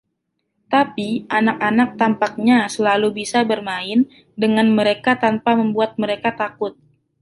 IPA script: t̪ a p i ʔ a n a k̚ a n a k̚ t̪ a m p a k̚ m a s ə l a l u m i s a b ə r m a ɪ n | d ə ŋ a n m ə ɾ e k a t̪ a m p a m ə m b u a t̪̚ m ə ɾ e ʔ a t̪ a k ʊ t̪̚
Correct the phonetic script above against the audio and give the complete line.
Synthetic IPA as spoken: t̪ a p i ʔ a n a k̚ a n a k̚ t̪ a m p a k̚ ɲ a s ə l a l u b i s a b ə r m a ɪ n | d ə ŋ a n m ə ɾ e k a t̪ a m p a m ə m b u a t̪̚ m ə ɾ e k a t̪ a k ʊ t̪̚